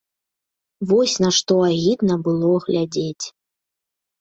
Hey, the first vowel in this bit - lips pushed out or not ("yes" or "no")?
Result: yes